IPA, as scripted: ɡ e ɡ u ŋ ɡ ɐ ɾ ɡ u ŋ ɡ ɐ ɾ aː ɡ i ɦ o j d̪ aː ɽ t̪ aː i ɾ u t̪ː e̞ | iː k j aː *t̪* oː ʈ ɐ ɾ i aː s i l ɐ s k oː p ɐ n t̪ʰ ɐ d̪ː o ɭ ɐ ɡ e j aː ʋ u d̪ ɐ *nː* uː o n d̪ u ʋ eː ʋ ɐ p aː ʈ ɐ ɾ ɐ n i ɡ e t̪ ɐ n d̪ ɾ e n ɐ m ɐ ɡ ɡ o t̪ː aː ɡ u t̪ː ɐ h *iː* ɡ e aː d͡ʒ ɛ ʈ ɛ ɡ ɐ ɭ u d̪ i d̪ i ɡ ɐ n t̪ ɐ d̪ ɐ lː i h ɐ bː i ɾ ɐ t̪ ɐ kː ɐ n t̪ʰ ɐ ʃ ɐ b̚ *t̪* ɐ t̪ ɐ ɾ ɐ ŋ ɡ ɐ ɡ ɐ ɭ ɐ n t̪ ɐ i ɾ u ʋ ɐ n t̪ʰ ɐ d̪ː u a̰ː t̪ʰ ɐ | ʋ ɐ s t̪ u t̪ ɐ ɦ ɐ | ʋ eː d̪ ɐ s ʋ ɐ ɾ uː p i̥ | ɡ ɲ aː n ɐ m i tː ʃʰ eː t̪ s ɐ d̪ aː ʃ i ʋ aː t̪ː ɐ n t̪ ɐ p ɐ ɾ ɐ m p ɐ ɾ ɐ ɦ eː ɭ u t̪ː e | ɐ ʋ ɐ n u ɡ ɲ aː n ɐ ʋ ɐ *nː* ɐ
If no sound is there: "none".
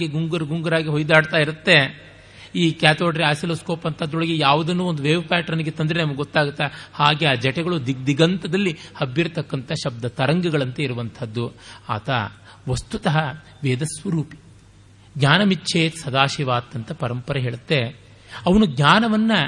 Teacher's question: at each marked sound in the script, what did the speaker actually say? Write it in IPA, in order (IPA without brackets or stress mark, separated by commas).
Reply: t̪, nː, aː, d̪, nː